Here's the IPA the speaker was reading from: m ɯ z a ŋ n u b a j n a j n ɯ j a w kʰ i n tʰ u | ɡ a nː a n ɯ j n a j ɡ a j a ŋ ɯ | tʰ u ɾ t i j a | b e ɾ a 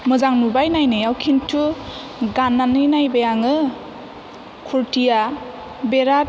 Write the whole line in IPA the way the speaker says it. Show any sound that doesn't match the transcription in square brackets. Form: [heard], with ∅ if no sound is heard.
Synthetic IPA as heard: m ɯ z a ŋ n u b a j n a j n ɯ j a w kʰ i n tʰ u | ɡ a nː a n ɯ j n a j [b] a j a ŋ ɯ | [kʰ] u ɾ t i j a | b e ɾ a